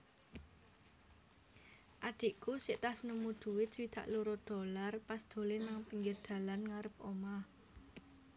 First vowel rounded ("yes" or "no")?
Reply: no